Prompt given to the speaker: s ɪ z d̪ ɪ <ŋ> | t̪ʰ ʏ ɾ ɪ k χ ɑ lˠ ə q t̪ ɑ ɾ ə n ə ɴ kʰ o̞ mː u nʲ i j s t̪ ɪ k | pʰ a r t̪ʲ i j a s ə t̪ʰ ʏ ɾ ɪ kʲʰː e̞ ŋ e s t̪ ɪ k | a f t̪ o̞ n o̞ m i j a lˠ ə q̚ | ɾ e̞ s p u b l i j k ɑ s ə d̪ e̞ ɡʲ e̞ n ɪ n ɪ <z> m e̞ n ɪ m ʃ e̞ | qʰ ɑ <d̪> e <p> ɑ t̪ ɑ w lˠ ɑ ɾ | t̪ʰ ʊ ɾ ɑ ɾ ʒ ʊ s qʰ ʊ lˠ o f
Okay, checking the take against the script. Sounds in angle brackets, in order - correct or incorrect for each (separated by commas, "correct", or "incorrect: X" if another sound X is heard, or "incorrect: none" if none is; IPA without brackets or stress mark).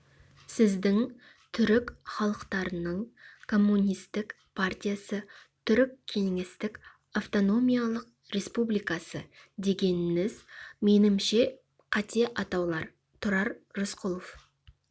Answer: correct, correct, incorrect: t̪, incorrect: ʔ